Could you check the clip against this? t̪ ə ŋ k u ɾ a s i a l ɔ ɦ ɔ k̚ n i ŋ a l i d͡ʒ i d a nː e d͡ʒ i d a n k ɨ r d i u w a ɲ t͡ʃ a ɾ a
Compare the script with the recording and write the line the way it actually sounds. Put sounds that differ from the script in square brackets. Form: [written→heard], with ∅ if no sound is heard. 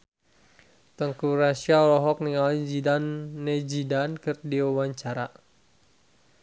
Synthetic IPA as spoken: t̪ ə ŋ k u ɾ a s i a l ɔ ɦ ɔ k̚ n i ŋ a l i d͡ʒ i d a nː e d͡ʒ i d a n k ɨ r d i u w a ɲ t͡ʃ a ɾ a